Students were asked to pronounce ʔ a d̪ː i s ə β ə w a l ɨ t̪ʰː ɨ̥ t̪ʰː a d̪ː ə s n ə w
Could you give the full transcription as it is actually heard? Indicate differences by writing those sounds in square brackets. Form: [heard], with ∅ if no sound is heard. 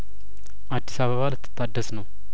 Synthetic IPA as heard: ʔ a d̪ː i s [a] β ə [β] a l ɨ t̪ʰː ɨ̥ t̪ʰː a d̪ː ə s n ə w